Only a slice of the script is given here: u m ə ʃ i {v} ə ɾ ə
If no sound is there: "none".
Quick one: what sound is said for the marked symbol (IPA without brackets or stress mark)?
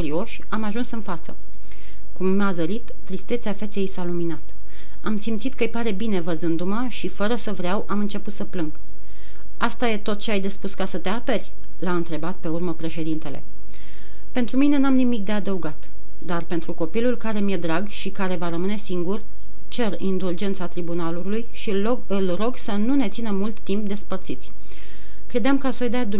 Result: f